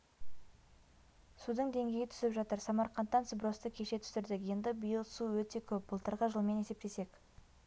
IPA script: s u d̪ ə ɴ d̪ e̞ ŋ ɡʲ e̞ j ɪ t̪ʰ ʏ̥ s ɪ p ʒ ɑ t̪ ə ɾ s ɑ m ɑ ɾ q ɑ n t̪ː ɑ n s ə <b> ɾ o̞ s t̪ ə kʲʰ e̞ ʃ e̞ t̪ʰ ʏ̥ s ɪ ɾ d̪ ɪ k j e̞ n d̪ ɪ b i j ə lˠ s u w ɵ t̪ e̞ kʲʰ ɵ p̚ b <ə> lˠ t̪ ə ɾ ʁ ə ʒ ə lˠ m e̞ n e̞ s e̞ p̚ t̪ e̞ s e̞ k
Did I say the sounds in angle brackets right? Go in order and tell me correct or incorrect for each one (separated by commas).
correct, correct